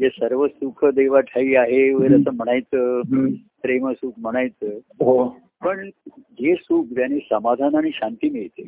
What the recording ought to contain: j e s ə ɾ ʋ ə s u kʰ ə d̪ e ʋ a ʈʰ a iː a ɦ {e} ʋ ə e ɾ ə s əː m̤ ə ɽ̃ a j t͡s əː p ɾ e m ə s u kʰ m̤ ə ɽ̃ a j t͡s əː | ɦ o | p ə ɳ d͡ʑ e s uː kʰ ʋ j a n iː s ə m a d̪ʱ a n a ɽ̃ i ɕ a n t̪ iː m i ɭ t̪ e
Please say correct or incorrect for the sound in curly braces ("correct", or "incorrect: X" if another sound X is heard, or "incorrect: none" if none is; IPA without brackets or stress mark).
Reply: correct